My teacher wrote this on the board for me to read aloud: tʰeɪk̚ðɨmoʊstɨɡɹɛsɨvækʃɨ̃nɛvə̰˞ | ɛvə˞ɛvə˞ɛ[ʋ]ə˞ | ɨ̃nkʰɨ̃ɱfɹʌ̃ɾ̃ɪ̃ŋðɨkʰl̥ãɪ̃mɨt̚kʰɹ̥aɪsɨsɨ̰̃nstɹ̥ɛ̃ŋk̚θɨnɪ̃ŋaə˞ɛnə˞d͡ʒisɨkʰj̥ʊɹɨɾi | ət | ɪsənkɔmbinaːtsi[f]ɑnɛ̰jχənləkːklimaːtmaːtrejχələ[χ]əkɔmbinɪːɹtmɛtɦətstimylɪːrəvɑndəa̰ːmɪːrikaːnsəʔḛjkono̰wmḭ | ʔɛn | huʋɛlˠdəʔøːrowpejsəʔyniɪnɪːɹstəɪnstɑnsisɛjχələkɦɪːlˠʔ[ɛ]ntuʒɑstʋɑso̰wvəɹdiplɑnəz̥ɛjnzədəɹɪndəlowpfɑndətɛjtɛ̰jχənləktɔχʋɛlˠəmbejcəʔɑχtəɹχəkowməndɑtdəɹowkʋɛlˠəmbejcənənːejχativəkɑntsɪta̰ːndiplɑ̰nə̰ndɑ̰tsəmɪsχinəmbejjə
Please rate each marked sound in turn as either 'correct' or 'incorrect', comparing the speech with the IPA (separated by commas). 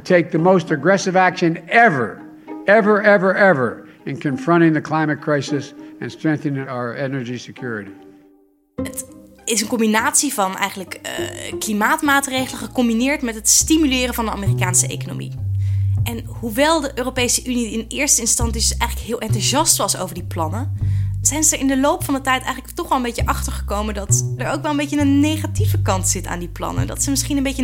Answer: incorrect, incorrect, correct, correct